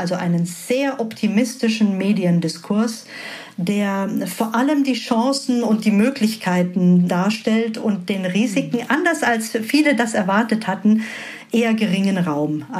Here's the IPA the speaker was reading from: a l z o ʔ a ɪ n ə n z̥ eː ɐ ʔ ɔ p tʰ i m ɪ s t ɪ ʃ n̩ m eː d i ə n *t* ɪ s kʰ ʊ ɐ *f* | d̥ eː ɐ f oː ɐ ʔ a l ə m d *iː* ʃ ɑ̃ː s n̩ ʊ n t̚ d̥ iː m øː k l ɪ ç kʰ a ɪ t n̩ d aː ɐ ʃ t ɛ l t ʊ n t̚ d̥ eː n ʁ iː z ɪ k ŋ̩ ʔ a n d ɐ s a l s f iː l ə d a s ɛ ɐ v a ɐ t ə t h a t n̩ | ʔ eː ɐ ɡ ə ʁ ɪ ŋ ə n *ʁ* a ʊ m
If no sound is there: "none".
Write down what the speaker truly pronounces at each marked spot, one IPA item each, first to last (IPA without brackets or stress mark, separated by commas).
d, s, iː, ʁ